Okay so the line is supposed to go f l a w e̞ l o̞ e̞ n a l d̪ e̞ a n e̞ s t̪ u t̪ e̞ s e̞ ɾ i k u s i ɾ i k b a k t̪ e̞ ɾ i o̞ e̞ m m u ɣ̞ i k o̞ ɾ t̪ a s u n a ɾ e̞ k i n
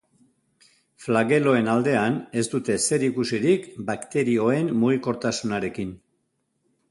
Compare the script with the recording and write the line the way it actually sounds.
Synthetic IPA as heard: f l a ɣ e̞ l o̞ e̞ n a l d̪ e̞ a n e̞ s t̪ u t̪ e̞ s e̞ ɾ i k u s i ɾ i k b a k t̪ e̞ ɾ i o̞ e̞ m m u ɣ̞ i k o̞ ɾ t̪ a s u n a ɾ e̞ k i n